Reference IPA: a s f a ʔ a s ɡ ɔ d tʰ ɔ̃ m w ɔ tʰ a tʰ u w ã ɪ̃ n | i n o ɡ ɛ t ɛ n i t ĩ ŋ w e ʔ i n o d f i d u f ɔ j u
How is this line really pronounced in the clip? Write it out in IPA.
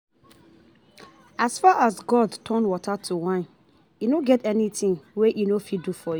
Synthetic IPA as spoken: a s f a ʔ a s ɡ ɔ d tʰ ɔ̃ n w ɔ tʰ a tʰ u w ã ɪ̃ n | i n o ɡ ɛ t ɛ n i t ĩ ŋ w e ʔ i n o f i d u f ɔ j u